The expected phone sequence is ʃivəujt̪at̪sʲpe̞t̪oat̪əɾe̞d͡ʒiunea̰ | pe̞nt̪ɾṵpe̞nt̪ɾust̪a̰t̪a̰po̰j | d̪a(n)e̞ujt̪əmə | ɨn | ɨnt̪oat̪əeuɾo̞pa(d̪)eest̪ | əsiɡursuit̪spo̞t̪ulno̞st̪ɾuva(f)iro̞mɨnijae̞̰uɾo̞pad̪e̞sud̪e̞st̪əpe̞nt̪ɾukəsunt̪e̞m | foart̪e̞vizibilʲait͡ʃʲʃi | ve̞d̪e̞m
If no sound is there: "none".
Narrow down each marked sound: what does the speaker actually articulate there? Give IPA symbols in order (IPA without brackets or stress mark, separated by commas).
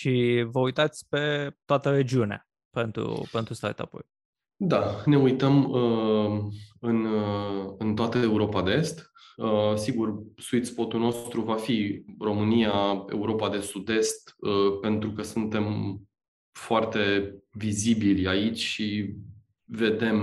n, d̪, f